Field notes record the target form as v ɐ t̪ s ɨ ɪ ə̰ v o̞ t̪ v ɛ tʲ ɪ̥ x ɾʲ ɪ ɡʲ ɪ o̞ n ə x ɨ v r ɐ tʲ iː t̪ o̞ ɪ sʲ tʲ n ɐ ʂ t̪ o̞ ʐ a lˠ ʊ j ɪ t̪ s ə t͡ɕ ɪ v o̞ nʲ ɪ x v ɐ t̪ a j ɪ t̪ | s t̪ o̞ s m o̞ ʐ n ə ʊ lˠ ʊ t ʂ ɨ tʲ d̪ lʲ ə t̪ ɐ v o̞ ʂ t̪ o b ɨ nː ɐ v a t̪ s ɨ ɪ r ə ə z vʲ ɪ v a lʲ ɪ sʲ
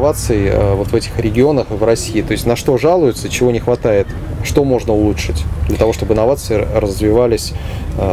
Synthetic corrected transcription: v a t̪ s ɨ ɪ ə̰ v o̞ t̪ v ɛ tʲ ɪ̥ x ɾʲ ɪ ɡʲ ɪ o̞ n ə x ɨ v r ɐ sʲ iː t̪ o̞ ɪ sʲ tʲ n ɐ ʂ t̪ o̞ ʐ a lˠ ʊ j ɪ t̪ s ə t͡ɕ ɪ v o̞ nʲ ɪ x v ɐ t̪ a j ɪ t̪ | ʂ t̪ o̞ m o̞ ʐ n ə ʊ lˠ u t ʂ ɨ tʲ d̪ lʲ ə t̪ ɐ v o̞ ʂ t̪ o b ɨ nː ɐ v a t̪ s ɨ ɪ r ə ə z vʲ ɪ v a lʲ ɪ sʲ